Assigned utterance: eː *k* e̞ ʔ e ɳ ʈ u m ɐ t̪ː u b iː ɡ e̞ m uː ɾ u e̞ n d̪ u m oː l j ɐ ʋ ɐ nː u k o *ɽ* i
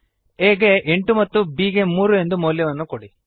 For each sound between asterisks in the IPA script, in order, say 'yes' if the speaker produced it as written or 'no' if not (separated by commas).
no, yes